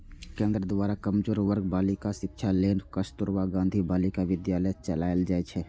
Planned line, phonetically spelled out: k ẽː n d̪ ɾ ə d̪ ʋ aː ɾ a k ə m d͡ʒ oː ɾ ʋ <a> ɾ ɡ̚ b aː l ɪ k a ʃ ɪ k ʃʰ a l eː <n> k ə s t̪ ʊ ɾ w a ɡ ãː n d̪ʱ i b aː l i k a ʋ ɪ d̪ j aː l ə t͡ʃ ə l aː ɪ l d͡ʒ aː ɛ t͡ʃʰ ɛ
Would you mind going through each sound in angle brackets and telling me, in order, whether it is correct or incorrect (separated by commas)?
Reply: incorrect, correct